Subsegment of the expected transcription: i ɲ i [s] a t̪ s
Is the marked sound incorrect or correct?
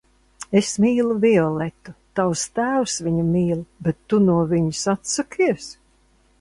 correct